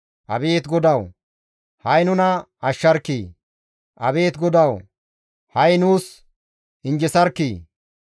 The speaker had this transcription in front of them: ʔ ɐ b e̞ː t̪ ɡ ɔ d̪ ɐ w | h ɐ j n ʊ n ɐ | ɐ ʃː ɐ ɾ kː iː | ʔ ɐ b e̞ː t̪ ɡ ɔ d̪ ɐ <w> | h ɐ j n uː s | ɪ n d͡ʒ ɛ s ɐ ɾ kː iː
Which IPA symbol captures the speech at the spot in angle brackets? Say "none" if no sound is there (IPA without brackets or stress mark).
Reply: w